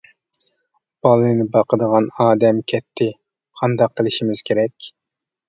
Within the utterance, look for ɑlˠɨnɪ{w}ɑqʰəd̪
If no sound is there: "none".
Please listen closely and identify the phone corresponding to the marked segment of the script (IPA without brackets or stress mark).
b